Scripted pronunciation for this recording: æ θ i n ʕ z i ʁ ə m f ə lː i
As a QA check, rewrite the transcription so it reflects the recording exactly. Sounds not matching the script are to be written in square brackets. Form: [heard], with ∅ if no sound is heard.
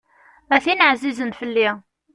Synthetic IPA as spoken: æ θ i n ʕ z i [z] ə [n] f ə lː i